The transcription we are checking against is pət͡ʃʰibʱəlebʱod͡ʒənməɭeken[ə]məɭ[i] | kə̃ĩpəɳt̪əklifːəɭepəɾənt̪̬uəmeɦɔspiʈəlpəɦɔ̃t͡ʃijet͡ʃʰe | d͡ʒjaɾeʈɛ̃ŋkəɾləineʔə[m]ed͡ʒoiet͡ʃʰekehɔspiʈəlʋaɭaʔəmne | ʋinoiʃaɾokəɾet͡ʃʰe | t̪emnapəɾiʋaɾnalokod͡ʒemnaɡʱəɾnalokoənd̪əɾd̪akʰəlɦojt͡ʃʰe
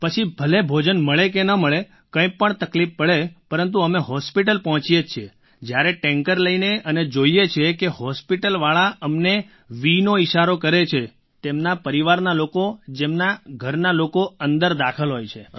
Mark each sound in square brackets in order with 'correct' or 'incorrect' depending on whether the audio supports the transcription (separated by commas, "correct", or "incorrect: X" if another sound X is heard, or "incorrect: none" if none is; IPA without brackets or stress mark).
correct, incorrect: e, incorrect: n